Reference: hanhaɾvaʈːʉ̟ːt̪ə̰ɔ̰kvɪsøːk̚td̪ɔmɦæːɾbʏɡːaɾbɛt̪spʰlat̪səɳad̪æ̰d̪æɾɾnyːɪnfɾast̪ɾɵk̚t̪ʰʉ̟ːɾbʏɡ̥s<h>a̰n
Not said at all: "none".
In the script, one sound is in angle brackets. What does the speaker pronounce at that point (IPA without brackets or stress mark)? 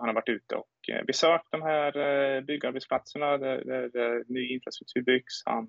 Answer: h